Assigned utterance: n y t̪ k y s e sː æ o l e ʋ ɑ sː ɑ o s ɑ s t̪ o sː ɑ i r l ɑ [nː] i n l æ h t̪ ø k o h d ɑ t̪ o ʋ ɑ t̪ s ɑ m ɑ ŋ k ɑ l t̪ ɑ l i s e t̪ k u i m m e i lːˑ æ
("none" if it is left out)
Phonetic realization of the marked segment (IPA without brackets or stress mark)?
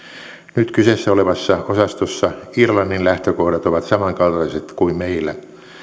nː